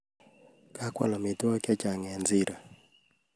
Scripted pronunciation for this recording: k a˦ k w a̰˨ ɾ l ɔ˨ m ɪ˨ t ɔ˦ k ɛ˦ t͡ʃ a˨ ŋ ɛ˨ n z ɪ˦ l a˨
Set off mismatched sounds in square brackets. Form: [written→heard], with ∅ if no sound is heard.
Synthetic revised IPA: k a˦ k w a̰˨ [ɾ→∅] l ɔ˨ m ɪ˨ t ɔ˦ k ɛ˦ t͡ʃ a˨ ŋ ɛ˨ n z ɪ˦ [l→ɾ] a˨